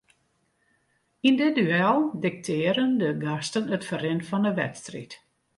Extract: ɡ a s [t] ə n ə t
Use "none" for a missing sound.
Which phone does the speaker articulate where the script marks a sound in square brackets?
t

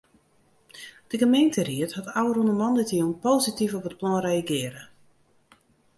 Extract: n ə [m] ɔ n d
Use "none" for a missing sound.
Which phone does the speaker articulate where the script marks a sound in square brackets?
m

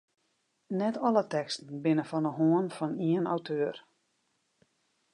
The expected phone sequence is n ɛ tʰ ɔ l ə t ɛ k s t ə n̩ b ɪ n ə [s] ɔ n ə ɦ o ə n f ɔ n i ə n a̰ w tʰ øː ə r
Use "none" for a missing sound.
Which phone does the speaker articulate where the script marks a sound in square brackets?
f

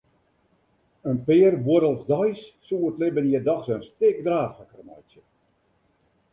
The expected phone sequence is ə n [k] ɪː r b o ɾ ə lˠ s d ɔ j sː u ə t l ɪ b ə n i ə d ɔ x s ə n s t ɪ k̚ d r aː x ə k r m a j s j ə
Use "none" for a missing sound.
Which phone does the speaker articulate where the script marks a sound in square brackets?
p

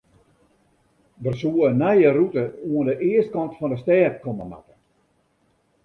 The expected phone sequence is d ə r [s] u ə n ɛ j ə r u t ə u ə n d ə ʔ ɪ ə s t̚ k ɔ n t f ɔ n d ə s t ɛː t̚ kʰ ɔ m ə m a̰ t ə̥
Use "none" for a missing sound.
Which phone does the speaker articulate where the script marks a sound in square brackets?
s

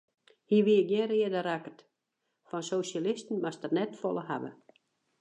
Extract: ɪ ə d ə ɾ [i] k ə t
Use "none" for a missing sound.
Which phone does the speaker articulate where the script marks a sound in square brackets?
a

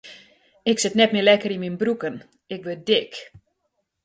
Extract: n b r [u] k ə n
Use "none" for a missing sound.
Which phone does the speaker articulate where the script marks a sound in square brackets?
u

